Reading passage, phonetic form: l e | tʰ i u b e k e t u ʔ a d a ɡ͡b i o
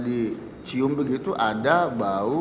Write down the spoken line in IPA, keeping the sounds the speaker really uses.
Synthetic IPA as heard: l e | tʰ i o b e ɡ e t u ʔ a d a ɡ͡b a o